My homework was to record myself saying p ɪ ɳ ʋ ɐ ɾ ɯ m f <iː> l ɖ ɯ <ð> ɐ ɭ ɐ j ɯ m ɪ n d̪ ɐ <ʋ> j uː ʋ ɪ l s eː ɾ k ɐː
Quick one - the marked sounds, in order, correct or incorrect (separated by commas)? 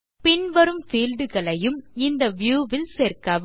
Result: correct, incorrect, correct